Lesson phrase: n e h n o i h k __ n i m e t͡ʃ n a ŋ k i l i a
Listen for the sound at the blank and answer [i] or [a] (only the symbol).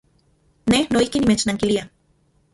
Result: i